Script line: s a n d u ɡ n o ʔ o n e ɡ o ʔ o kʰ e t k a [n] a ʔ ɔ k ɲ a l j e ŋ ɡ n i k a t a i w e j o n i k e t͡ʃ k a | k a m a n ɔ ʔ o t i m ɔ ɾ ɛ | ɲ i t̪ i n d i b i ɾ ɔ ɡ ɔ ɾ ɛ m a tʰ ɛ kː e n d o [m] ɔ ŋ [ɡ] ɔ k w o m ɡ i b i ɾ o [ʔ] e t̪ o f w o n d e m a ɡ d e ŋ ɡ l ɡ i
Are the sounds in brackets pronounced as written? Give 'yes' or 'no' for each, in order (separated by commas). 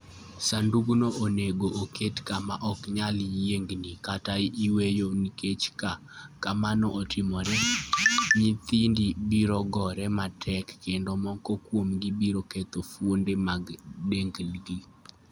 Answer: no, yes, no, no